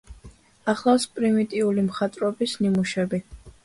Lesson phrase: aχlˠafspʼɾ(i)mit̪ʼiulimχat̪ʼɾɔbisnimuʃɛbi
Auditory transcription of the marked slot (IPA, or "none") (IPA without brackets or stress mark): i